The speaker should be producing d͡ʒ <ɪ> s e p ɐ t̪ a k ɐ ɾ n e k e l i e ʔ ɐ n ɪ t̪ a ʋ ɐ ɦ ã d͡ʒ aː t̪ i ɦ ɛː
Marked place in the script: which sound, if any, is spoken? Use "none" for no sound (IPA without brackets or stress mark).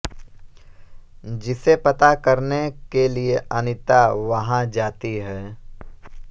ɪ